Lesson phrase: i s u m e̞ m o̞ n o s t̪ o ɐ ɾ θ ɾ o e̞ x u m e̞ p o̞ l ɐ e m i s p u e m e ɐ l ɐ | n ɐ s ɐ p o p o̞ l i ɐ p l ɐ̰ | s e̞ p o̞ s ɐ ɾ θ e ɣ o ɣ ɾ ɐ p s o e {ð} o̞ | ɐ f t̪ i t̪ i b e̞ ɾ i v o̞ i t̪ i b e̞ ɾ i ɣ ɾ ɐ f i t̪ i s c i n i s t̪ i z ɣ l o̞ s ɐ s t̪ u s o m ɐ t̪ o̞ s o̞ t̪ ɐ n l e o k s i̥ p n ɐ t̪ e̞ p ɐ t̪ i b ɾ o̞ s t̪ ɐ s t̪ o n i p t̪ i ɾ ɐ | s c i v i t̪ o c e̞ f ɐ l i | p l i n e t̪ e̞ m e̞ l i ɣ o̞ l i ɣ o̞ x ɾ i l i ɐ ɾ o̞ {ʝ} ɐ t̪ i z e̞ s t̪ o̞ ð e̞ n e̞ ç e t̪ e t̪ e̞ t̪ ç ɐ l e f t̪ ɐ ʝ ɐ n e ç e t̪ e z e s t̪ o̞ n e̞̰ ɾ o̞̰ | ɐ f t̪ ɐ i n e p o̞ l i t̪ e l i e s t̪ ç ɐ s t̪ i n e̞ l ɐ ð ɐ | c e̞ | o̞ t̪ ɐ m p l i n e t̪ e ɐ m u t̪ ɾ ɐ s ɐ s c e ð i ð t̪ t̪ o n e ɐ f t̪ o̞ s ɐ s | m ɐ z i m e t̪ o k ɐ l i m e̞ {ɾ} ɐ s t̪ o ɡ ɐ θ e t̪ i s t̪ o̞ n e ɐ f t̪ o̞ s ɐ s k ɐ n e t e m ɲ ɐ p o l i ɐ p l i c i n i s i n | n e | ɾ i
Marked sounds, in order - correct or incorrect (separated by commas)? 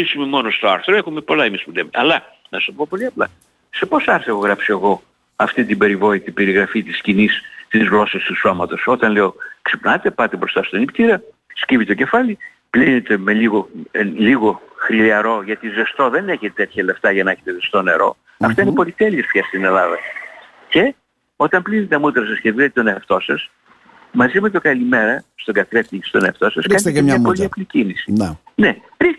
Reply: incorrect, correct, correct